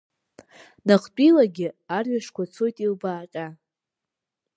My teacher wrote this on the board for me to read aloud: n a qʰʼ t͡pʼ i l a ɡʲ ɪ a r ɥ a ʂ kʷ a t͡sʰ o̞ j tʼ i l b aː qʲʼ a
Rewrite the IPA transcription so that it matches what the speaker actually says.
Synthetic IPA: n a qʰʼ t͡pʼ i l a ɡʲ ɪ a r ɥ a ʂ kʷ a t͡sʰ o̞ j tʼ i l b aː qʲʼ a